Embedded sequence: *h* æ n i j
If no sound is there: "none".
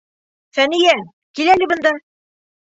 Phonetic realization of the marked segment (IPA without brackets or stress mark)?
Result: f